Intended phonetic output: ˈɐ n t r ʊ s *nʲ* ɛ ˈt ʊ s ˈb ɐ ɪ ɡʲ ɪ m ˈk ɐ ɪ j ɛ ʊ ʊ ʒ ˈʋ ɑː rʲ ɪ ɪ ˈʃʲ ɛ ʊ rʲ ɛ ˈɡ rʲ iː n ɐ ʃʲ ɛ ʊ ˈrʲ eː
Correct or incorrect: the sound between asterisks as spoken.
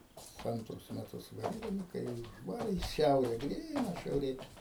incorrect: mʲ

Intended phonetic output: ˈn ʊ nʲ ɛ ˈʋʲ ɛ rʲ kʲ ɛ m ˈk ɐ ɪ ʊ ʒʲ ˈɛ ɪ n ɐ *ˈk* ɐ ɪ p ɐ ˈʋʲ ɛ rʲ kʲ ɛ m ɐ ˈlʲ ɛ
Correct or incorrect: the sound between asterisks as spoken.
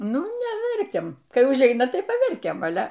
incorrect: t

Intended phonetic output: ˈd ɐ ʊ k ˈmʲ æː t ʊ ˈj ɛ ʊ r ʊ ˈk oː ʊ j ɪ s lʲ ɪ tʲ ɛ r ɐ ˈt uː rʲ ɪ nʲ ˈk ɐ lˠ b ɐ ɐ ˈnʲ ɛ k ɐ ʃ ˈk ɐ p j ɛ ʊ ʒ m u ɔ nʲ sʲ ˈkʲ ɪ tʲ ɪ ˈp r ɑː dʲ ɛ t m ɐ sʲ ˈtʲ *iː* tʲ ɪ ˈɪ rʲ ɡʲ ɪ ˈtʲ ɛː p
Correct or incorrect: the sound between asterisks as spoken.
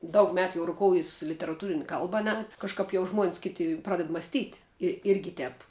correct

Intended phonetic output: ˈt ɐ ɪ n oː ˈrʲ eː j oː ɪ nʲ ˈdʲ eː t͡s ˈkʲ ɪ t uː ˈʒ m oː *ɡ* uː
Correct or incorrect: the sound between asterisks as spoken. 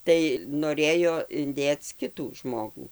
correct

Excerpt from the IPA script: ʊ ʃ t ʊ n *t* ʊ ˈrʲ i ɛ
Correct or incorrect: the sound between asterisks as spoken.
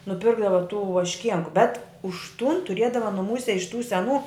correct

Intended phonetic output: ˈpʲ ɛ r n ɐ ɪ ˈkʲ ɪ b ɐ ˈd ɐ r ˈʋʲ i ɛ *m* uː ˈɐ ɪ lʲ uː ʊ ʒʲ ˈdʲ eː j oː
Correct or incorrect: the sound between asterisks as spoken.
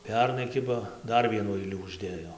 incorrect: n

